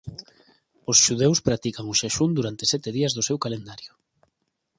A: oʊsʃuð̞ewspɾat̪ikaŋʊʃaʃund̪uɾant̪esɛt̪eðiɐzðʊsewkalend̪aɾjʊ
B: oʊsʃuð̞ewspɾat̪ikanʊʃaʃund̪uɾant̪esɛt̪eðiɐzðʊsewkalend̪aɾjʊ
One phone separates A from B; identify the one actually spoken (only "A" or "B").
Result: A